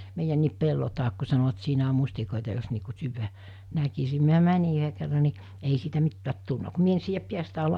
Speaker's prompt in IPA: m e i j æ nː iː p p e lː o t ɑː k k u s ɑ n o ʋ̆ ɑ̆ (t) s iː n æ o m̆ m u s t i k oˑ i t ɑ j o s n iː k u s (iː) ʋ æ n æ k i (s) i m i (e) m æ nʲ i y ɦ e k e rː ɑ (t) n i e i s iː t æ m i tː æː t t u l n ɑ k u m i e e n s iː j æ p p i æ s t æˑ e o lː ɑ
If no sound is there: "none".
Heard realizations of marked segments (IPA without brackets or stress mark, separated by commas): t, yː, s, æ, none